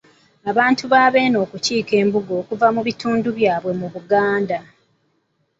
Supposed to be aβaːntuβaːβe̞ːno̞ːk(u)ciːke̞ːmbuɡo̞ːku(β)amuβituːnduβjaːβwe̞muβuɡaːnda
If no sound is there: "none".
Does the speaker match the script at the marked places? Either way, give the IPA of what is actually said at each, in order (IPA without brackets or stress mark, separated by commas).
u, v